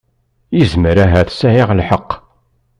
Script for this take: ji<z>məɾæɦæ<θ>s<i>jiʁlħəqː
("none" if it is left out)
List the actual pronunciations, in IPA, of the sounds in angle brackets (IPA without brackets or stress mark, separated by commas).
z, θ, æ